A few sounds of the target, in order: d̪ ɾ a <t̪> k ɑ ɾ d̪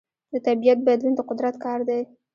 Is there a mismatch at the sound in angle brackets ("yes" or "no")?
no